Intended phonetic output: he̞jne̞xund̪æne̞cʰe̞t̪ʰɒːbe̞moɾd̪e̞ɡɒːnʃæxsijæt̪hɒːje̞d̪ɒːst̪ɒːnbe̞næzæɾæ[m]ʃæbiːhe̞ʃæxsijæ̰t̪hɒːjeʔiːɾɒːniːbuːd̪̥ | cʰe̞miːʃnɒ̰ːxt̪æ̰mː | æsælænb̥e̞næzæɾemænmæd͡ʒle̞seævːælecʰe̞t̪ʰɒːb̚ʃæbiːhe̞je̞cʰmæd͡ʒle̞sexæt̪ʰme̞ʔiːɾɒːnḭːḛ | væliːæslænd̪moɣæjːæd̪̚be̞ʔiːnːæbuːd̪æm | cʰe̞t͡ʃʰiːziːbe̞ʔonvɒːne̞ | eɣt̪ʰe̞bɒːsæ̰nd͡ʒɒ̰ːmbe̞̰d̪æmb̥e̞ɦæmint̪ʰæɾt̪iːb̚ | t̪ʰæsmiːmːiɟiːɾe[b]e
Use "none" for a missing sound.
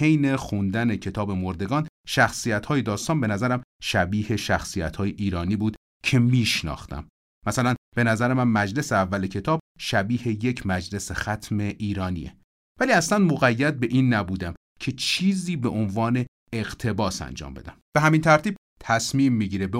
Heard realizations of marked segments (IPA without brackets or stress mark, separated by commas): m, b